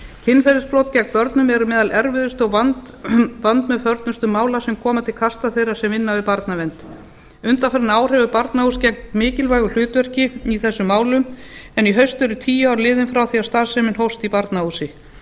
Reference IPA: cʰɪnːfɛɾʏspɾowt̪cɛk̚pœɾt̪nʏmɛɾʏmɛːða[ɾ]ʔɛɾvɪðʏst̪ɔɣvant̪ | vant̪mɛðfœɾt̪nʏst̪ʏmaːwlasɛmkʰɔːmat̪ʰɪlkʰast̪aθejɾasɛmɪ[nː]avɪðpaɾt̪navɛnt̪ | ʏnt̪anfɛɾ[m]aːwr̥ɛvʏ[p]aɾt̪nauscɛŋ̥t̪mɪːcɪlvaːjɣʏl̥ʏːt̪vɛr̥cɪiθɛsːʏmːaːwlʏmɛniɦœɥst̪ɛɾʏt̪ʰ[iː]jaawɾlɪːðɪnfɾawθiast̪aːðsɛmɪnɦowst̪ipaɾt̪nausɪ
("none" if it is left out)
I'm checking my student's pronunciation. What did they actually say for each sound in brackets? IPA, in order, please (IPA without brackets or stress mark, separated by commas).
l, nː, n, p, iː